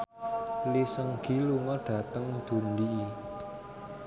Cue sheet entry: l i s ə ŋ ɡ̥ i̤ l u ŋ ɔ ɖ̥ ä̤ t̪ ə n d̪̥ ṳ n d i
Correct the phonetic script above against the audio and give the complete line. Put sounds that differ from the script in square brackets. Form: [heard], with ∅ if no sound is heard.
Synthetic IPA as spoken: l i s ə ŋ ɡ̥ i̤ l u ŋ ɔ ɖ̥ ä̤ t̪ ə [ŋ] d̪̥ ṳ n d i